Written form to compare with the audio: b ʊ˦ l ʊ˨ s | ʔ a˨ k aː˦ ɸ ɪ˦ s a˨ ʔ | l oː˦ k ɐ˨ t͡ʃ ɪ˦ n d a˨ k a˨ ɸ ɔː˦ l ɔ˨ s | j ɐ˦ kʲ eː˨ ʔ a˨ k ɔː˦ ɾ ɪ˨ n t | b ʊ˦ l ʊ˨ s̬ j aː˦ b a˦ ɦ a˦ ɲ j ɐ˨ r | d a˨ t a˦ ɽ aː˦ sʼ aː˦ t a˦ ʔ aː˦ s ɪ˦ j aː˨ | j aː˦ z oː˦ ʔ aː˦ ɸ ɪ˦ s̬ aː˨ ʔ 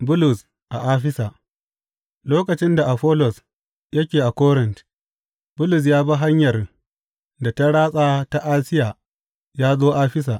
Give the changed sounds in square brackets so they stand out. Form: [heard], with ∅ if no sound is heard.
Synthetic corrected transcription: b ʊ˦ l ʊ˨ s | ʔ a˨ [ʔ] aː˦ ɸ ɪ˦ s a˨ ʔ | l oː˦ k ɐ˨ t͡ʃ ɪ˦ n d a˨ [ʔ] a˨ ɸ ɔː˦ l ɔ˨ s | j ɐ˦ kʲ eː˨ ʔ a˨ k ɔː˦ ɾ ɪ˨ n t | b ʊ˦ l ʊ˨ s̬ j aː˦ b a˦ ɦ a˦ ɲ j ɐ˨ r | d a˨ t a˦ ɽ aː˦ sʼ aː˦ t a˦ ʔ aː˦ s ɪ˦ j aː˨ | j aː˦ z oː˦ ʔ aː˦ ɸ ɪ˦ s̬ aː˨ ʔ

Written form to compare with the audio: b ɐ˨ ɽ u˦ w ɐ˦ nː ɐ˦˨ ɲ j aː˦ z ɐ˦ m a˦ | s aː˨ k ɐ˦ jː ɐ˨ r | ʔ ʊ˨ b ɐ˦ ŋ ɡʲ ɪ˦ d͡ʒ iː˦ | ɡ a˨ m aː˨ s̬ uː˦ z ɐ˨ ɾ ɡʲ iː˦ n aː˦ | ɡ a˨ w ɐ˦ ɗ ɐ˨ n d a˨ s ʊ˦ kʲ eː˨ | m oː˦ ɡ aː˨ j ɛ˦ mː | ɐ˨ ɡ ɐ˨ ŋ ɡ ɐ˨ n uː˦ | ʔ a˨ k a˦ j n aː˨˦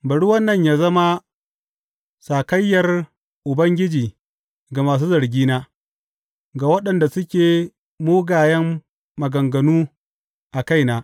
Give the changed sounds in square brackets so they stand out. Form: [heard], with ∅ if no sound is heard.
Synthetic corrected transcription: b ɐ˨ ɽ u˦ w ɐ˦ nː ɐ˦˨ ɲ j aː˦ z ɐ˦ m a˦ | s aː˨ k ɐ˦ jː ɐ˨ r | ʔ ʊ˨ b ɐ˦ ŋ ɡʲ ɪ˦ d͡ʒ [iː˨] | ɡ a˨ m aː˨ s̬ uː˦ z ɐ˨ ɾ ɡʲ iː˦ n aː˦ | ɡ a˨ w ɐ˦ ɗ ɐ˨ n d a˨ s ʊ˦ kʲ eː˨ | m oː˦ ɡ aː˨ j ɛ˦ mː | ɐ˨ ɡ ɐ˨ ŋ ɡ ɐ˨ n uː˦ | ʔ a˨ k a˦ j n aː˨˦

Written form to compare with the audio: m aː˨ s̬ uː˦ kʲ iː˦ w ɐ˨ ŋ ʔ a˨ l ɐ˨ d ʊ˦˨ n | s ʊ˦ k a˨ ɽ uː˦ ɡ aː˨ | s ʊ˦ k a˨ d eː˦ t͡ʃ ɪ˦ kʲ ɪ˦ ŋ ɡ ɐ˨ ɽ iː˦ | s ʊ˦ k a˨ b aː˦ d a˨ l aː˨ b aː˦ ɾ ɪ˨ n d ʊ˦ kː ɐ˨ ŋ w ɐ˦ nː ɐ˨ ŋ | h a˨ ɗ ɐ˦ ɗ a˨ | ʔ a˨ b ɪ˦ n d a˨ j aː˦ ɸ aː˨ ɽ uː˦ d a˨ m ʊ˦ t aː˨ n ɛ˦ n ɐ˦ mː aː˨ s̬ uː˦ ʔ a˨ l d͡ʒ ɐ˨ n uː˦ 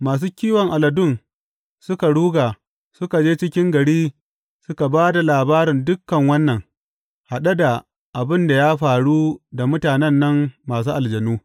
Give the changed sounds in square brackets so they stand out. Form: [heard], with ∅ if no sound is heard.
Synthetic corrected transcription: m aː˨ s̬ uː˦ kʲ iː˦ w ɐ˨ ŋ ʔ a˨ l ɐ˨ d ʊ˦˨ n | s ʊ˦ k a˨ ɽ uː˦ ɡ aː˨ | s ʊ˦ k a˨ [d͡ʒ] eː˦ t͡ʃ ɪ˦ kʲ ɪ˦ ŋ ɡ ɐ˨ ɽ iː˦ | s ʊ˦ k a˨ b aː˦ d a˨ l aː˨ b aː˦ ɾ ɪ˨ n d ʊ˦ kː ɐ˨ ŋ w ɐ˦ nː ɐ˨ ŋ | h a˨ ɗ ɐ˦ [d] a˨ | ʔ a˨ b ɪ˦ n d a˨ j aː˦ ɸ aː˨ ɽ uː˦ d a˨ m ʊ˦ t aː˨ n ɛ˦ [nː] ɐ˦ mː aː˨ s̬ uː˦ ʔ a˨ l d͡ʒ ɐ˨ n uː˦

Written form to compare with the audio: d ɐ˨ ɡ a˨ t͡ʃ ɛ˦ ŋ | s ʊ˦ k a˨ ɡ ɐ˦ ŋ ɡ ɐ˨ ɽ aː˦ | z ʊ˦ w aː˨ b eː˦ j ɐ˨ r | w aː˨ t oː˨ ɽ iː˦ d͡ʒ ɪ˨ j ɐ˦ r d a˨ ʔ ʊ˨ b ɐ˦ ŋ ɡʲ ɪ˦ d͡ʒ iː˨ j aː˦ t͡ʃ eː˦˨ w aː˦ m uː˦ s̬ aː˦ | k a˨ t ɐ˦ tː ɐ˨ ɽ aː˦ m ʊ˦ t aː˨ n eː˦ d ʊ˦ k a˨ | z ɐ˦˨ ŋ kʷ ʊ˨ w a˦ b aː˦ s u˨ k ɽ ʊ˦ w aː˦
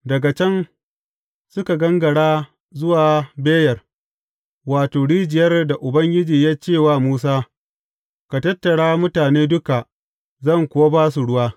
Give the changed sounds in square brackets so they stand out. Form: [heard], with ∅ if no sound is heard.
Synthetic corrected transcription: d ɐ˨ ɡ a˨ t͡ʃ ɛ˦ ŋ | s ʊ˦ k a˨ ɡ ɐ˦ ŋ ɡ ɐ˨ ɽ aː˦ | z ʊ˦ w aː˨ b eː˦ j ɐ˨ r | w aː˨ t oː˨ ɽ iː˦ d͡ʒ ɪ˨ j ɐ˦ r d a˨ ʔ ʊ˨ b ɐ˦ ŋ ɡʲ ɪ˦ d͡ʒ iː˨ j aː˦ t͡ʃ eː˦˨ w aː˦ m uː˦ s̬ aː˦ | k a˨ t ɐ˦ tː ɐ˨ ɽ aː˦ m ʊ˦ t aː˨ n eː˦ d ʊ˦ k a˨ | z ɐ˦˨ ŋ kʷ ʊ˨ w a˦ b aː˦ s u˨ [∅] ɽ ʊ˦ w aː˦

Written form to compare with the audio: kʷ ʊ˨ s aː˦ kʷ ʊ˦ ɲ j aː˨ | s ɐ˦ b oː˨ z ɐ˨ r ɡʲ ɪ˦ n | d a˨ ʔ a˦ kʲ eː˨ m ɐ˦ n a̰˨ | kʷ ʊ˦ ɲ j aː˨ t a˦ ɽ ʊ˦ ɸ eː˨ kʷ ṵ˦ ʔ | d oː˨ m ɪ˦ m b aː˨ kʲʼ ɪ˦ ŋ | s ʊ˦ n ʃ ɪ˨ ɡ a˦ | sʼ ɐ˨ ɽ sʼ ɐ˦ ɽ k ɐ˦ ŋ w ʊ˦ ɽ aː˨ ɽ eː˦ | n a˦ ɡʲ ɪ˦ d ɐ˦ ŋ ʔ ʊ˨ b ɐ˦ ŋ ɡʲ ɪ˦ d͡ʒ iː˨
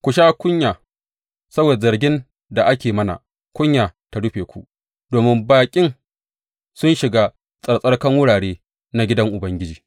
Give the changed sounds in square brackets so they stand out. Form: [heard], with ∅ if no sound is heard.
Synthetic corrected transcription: kʷ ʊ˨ [ʃ] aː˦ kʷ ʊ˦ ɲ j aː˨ | s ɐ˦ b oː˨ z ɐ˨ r ɡʲ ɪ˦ n | d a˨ ʔ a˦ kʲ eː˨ m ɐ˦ n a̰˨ | kʷ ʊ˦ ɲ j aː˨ t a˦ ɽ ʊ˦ ɸ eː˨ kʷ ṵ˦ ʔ | d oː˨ m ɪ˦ m b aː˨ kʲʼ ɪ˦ ŋ | s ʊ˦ n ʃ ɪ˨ ɡ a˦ | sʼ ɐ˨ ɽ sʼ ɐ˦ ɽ k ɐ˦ ŋ w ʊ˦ ɽ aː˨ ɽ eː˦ | n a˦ ɡʲ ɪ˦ d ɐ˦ ŋ ʔ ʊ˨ b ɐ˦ ŋ ɡʲ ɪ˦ d͡ʒ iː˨

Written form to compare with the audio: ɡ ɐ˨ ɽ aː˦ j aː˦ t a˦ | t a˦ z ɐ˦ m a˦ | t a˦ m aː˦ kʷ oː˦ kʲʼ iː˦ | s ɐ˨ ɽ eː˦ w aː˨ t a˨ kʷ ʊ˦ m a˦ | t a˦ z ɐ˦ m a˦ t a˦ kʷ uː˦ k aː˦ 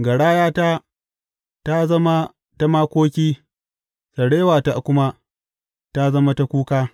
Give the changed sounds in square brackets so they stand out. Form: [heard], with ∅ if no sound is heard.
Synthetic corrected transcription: ɡ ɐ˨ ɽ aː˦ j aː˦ t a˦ | t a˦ z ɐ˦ m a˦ | t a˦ m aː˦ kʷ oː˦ [kʲ] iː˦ | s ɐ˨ ɽ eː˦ w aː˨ t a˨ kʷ ʊ˦ m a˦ | t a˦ z ɐ˦ m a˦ t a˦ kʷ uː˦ k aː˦

